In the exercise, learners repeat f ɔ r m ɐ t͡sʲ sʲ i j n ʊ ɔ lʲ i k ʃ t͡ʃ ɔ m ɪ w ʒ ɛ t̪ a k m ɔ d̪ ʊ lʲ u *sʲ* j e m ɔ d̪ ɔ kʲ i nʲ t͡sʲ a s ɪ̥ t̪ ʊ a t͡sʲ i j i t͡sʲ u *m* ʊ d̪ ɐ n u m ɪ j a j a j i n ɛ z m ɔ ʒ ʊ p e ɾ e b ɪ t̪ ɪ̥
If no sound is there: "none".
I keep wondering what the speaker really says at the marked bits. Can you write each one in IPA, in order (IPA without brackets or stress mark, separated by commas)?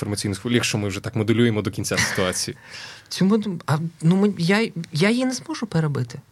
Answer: none, m